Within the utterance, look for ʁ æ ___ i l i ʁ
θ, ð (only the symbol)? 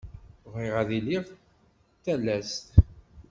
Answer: ð